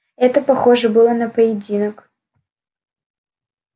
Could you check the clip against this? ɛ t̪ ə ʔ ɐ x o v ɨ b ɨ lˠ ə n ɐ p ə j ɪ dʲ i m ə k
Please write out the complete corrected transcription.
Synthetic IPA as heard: ɛ t̪ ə p ɐ x o ʐ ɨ b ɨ lˠ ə n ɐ p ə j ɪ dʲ i n ə k